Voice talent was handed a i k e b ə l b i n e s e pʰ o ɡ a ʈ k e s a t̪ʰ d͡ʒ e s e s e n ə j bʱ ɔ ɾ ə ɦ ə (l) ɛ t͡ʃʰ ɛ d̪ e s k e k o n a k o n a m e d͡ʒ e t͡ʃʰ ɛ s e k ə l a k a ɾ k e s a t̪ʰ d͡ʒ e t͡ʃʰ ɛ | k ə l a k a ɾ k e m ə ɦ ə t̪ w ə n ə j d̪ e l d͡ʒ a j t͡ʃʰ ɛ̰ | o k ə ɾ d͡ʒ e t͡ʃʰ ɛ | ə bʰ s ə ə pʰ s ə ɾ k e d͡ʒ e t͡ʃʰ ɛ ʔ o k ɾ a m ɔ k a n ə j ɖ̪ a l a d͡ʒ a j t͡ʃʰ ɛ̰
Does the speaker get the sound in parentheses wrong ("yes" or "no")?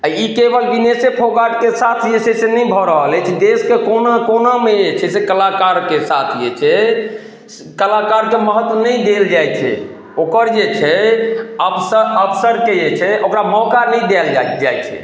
no